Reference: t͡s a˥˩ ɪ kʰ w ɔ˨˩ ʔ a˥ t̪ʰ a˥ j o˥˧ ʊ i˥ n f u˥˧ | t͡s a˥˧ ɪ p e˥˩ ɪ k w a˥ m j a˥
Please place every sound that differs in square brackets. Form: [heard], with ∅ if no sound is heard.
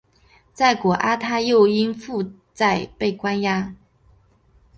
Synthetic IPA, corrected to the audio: t͡s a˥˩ ɪ [k] w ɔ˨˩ ʔ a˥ t̪ʰ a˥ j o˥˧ ʊ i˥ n f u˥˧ | t͡s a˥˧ ɪ p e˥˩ ɪ k w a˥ [n] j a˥